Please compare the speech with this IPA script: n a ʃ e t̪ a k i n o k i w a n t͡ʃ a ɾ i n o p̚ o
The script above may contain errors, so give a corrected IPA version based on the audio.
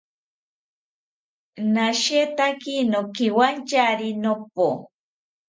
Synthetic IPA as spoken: n a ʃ e t̪ a k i n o k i w a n t͡ʃ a ɾ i n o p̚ o